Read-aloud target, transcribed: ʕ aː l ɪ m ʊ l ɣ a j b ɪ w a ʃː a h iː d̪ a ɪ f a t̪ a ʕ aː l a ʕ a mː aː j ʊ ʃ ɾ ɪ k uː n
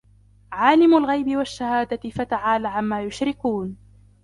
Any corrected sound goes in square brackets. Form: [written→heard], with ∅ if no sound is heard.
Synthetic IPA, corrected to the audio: ʕ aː l ɪ m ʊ l ɣ a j b ɪ w a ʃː a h [iː→aː] d̪ a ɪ f a t̪ a ʕ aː l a ʕ a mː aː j ʊ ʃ ɾ ɪ k uː n